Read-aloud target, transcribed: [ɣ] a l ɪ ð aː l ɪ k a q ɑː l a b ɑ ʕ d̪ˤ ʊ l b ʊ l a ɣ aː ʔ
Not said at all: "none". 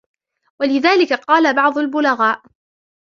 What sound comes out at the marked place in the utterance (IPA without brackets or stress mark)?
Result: w